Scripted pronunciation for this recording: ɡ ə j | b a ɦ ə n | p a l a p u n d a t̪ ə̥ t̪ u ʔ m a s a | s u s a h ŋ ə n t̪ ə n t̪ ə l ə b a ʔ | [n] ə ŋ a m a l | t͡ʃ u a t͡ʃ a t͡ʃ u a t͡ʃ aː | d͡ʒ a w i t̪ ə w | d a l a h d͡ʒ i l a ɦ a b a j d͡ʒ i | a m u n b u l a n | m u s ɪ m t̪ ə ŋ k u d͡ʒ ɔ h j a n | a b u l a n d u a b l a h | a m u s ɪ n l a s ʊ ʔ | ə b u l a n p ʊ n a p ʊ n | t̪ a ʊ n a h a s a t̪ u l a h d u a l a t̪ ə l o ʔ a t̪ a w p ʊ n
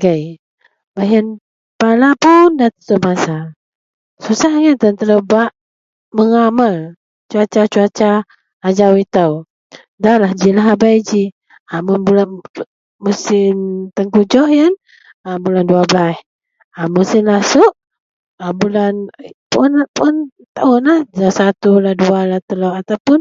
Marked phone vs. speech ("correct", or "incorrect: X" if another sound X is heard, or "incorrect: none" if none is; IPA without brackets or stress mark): incorrect: m